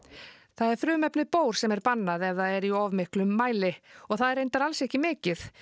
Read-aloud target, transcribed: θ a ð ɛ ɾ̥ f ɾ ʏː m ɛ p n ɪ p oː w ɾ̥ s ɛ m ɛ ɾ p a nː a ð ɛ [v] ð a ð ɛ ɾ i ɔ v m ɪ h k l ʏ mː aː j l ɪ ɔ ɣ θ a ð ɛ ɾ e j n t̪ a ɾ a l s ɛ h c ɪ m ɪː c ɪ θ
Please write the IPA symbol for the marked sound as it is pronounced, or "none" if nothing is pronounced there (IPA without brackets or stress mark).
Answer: v